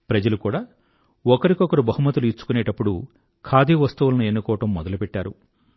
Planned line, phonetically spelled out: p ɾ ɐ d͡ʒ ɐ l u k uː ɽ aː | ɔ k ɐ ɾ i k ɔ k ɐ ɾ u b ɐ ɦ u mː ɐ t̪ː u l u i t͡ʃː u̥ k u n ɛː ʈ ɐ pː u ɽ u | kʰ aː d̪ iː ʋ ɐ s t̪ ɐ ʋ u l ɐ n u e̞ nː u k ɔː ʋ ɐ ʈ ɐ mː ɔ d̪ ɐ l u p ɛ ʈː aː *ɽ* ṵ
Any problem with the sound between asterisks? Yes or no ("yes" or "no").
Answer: yes